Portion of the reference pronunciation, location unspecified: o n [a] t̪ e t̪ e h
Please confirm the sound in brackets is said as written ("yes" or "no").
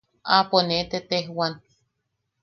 no